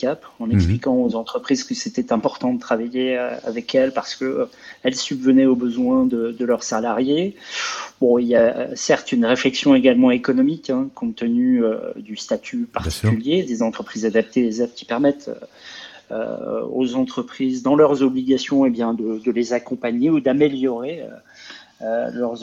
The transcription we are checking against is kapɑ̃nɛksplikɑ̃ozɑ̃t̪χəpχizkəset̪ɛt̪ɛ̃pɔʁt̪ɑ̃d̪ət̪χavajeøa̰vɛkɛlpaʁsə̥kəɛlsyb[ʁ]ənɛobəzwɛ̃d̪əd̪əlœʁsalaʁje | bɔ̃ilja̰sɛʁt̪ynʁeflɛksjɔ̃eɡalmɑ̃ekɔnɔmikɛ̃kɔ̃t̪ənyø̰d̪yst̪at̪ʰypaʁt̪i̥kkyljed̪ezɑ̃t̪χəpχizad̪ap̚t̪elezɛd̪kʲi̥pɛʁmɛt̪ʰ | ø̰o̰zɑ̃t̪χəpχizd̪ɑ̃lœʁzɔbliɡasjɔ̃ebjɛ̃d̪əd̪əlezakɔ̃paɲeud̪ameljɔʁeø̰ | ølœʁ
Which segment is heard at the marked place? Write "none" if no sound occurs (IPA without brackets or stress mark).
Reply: v